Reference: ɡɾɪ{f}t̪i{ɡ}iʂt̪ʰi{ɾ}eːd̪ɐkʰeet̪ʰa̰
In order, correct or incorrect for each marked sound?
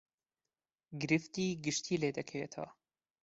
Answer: correct, correct, incorrect

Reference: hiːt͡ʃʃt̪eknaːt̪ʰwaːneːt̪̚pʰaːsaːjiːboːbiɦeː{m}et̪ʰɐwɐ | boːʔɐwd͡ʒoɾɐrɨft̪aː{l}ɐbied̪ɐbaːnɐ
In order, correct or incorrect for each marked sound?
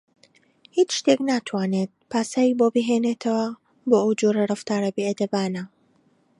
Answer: incorrect, incorrect

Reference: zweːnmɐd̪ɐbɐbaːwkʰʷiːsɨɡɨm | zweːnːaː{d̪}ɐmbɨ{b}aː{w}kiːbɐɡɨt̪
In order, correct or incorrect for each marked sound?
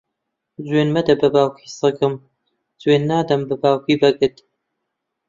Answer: correct, correct, correct

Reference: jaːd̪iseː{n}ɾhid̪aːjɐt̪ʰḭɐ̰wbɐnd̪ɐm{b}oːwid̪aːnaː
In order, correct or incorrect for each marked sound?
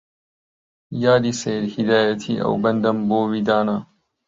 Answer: incorrect, correct

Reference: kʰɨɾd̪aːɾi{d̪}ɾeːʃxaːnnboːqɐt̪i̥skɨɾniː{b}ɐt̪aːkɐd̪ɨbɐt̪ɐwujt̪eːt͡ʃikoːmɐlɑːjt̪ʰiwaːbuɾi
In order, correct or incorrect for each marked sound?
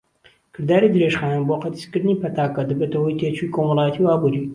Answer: correct, incorrect

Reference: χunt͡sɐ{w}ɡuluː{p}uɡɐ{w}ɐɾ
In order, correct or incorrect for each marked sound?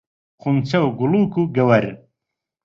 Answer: correct, incorrect, correct

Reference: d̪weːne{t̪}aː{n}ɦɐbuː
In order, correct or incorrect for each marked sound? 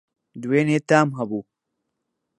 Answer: correct, incorrect

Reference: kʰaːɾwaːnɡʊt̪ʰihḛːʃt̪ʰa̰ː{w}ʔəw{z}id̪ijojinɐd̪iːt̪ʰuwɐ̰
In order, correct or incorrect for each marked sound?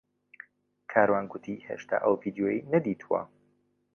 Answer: incorrect, incorrect

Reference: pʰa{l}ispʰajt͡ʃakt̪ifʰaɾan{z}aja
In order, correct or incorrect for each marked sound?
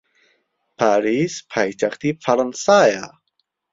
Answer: incorrect, incorrect

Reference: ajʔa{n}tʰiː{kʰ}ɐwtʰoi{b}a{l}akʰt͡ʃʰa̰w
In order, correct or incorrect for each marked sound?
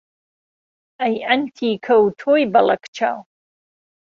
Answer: correct, correct, correct, correct

